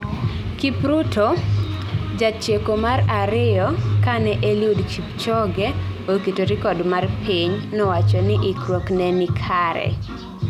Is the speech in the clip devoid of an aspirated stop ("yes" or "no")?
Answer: no